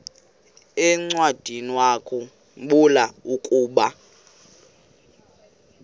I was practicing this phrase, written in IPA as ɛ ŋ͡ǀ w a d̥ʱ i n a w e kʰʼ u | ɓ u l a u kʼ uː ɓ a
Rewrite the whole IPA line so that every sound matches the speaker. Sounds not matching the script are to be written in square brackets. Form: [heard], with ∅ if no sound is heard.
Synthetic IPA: ɛ ŋ͡ǀ w a d̥ʱ i n [i] w [a] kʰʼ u | ɓ u l a u kʼ uː ɓ a